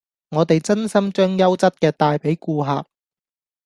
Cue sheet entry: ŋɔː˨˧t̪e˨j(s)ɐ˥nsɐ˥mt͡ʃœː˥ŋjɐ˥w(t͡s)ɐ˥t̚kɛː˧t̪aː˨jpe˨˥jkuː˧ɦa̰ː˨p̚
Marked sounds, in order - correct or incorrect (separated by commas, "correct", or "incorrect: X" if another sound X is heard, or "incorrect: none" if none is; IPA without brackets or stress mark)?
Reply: incorrect: t͡s, correct